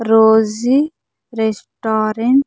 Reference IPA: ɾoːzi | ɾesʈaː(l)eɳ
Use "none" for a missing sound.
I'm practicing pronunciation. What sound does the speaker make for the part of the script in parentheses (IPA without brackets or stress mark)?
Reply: ɾ